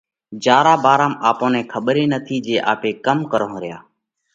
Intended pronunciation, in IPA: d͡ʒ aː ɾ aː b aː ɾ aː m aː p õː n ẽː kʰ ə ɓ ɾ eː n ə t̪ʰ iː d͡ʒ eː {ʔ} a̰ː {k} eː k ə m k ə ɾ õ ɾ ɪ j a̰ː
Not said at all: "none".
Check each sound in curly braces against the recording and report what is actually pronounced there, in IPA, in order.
ʔ, p

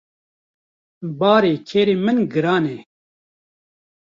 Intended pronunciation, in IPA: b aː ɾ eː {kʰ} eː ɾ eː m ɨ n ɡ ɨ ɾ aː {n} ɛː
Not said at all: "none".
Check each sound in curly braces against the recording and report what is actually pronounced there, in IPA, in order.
kʰ, n

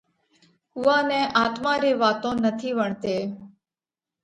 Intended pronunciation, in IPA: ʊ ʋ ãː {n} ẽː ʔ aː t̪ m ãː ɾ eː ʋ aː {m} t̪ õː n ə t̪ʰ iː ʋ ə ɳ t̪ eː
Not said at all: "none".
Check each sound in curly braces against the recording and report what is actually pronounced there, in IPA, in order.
n, none

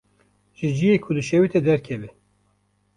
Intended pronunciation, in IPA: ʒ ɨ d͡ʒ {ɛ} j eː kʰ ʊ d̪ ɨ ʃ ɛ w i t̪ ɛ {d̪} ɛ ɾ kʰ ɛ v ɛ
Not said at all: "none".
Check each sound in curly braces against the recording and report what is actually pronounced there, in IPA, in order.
i, d̪

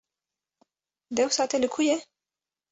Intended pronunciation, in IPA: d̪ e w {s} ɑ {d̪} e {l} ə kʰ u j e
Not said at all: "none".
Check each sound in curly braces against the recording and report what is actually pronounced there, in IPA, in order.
s, t̪, l

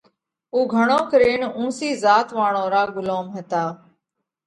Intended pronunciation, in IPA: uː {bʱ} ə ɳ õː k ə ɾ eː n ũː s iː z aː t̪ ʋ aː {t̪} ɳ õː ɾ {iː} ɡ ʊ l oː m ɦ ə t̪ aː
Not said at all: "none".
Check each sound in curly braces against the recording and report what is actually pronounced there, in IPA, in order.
ɡʱ, none, aː

